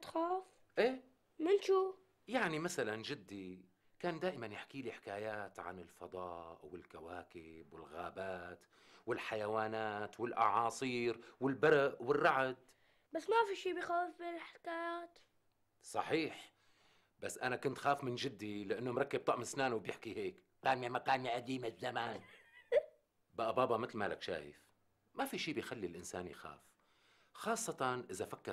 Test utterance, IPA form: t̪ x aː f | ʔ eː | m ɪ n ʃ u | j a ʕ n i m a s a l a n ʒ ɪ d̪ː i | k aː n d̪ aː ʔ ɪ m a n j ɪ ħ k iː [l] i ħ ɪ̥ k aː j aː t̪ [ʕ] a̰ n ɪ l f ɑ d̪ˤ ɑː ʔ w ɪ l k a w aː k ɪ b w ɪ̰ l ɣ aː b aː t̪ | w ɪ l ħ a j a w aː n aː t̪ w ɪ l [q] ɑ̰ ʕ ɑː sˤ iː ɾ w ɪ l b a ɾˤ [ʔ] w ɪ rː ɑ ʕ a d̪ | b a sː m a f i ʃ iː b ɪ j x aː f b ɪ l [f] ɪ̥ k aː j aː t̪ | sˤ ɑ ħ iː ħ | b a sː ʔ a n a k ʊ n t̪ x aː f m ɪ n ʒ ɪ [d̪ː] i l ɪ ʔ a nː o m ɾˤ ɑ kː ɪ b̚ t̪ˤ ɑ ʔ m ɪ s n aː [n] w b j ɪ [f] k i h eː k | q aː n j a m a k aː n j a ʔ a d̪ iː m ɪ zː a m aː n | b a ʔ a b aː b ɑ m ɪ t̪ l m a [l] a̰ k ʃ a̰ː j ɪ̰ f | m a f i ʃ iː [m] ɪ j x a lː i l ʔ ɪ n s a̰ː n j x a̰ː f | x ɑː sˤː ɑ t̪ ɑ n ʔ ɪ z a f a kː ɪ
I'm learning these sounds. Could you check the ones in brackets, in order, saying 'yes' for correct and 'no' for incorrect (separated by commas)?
yes, yes, no, yes, no, yes, yes, no, yes, no